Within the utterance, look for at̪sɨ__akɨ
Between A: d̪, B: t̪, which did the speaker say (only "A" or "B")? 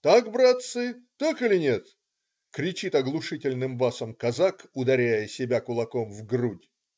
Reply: B